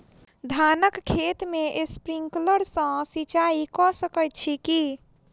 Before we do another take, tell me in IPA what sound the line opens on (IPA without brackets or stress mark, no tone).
d̪ʱ